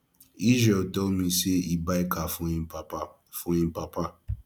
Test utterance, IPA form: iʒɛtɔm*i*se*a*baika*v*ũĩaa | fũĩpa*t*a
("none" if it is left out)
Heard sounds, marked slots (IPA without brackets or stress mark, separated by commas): ĩ, i, f, p